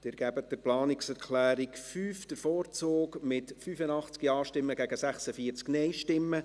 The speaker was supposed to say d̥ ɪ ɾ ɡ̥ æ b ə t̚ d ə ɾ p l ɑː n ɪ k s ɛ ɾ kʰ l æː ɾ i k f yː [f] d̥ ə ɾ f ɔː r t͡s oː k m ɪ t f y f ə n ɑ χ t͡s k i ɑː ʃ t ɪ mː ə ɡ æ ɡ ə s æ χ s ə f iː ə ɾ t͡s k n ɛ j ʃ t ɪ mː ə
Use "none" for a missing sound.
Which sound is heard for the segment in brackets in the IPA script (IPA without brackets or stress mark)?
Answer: f